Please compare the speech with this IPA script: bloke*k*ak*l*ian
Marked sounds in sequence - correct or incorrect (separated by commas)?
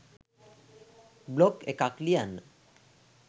correct, correct